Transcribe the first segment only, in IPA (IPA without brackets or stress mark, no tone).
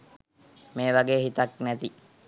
m